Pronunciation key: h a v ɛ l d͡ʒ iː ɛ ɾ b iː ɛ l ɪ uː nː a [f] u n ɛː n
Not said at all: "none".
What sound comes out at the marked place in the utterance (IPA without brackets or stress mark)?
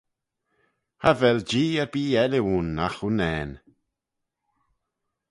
x